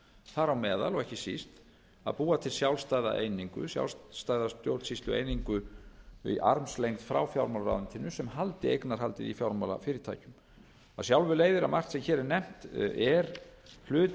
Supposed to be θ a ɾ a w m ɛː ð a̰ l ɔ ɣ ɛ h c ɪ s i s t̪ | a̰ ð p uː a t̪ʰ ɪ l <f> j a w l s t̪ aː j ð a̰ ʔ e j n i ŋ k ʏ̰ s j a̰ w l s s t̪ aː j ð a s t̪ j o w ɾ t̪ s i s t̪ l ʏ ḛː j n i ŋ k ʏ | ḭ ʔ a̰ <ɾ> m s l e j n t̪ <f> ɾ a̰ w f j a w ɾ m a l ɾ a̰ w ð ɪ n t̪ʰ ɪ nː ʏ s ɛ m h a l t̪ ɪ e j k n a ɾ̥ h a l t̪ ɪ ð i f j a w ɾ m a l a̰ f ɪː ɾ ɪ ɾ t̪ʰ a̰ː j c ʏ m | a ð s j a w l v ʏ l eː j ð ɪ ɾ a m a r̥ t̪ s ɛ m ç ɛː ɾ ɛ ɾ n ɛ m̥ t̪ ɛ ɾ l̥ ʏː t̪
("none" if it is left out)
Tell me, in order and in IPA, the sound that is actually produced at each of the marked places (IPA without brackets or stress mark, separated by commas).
s, ɾ, f